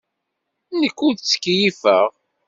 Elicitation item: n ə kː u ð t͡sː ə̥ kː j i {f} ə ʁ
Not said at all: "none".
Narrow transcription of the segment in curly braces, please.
f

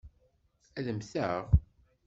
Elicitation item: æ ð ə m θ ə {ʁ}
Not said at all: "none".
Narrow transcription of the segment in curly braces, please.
ʁ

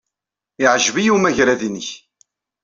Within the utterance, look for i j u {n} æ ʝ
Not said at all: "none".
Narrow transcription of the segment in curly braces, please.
m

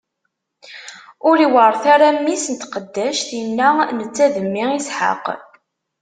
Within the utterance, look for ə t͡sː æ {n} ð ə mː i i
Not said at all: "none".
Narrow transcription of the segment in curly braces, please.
none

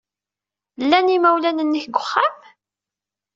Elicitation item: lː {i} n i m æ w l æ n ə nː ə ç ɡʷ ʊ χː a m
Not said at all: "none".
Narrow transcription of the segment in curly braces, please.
æ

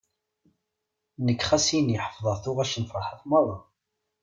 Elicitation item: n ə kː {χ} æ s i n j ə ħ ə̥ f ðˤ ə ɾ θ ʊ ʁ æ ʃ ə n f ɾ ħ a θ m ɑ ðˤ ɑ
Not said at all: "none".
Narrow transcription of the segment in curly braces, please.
χ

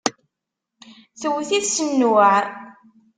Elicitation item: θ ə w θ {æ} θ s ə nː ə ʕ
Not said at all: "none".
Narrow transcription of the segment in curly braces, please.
i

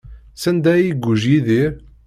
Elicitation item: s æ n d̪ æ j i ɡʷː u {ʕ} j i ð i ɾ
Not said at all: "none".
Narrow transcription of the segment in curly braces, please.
ʒ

